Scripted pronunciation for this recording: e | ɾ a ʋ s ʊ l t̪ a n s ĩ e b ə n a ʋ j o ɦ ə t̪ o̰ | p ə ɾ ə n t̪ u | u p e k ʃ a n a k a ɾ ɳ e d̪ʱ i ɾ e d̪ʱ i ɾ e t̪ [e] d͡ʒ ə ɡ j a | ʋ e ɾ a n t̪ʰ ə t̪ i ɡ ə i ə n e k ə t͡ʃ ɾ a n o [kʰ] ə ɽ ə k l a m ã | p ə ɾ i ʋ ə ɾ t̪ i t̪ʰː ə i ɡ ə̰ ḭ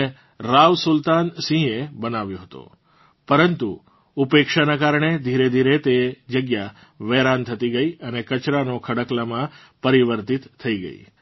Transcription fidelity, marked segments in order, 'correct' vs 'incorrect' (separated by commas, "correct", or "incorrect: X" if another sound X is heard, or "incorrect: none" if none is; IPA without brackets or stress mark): correct, correct